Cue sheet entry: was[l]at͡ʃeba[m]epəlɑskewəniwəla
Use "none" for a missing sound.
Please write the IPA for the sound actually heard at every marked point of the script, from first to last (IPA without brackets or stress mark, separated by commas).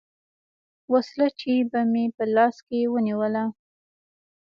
l, m